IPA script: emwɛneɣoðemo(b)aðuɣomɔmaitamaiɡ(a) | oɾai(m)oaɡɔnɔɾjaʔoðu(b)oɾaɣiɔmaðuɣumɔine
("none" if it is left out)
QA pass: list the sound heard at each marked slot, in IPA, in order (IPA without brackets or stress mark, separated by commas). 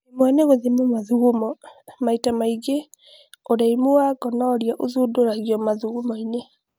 m, e, m, d